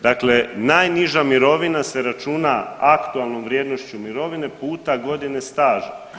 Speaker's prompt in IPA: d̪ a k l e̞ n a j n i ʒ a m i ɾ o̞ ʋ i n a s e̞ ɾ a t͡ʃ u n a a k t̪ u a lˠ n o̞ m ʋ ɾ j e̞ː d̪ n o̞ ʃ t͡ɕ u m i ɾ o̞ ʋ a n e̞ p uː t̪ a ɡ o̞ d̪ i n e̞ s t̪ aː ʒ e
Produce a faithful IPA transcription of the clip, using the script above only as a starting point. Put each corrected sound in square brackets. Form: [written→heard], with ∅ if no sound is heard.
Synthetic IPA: d̪ a k l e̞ n a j n i ʒ a m i ɾ o̞ ʋ i n a s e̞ ɾ a t͡ʃ u n a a k t̪ u a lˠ n o̞ m ʋ ɾ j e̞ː d̪ n o̞ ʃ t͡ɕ u m i ɾ o̞ ʋ [a→i] n e̞ p uː t̪ a ɡ o̞ d̪ i n e̞ s t̪ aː ʒ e